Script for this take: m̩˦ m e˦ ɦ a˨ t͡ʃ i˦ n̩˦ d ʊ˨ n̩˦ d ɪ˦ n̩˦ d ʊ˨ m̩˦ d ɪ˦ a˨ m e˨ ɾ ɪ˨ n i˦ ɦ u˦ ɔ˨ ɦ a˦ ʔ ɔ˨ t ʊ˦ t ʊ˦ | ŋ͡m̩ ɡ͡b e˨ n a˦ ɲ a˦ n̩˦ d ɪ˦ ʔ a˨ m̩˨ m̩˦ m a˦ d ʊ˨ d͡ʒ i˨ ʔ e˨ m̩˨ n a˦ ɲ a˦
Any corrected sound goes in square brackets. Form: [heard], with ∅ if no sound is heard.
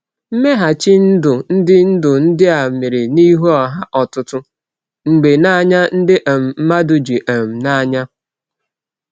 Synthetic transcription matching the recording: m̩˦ m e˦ ɦ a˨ t͡ʃ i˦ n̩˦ d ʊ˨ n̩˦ d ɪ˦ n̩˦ d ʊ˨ [n̩˦] d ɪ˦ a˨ m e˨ ɾ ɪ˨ n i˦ ɦ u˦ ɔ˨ ɦ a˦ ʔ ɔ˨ t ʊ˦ t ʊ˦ | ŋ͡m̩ ɡ͡b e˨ n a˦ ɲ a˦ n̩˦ d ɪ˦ ʔ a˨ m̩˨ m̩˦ m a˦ d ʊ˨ d͡ʒ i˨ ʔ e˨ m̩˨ n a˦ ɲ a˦